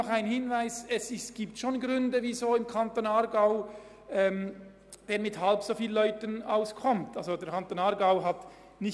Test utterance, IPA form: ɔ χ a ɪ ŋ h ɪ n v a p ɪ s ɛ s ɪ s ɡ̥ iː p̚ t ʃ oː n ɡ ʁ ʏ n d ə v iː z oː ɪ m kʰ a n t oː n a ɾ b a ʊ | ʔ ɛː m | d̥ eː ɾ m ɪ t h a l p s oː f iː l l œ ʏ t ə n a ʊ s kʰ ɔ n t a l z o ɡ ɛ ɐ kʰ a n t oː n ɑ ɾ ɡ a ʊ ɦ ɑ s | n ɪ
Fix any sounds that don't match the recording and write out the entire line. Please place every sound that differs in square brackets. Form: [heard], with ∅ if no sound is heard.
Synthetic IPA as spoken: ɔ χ a ɪ [n] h ɪ n v a [∅] ɪ s ɛ s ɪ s ɡ̥ iː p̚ t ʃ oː n ɡ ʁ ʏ n d ə v iː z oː ɪ m kʰ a n t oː n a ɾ [ɡ] a ʊ | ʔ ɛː m | d̥ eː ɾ m ɪ t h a l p s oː f iː l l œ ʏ t ə n a ʊ s kʰ ɔ [m] t a l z o [d] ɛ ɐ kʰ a n t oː n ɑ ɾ ɡ a ʊ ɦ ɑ [t] | n ɪ